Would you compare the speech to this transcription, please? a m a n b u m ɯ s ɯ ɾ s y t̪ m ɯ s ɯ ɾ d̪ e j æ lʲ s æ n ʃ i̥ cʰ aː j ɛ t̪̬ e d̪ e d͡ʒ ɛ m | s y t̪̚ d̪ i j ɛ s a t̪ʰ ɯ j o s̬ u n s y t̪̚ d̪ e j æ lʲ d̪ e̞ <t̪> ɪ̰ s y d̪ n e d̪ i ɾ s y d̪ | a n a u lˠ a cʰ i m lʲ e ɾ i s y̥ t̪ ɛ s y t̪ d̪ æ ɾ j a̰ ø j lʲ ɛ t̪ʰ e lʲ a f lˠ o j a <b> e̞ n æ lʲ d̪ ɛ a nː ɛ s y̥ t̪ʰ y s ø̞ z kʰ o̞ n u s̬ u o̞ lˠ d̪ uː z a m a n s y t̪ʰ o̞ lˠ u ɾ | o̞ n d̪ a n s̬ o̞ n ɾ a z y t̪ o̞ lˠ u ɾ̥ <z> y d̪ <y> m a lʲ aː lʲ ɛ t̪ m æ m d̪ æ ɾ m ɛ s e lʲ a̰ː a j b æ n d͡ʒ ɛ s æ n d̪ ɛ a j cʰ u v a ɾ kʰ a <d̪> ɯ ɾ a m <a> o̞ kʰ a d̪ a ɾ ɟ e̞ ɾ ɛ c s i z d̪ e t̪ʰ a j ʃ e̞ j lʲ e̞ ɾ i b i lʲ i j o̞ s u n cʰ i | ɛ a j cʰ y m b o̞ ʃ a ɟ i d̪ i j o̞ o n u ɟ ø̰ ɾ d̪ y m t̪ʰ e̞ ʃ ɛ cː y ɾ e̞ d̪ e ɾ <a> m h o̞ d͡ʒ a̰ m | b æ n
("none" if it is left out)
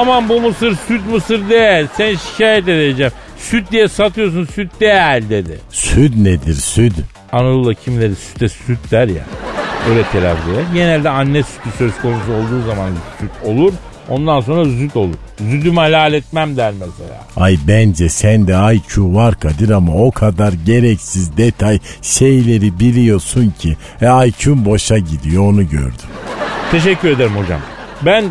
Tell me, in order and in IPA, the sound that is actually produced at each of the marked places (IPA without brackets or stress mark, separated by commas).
d̪, ɟ, z, y, d̪, a, i